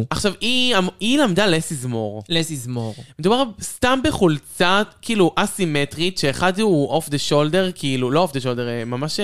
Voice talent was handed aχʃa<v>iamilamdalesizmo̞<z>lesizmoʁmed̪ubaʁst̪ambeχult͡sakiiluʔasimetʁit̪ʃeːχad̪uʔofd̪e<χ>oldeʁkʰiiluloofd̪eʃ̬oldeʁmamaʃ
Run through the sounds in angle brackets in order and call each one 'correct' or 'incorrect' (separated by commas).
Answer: correct, incorrect, incorrect